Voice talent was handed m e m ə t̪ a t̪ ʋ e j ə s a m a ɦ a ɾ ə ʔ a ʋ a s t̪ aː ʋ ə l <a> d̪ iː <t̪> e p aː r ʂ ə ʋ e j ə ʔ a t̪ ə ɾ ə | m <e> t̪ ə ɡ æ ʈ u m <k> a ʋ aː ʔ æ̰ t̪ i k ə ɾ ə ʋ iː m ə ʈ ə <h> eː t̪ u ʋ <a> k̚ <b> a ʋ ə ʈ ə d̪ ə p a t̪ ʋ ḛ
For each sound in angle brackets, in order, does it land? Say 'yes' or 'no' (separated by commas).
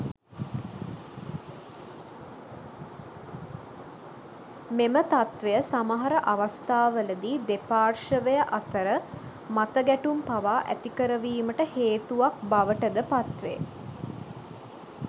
no, no, no, no, yes, yes, yes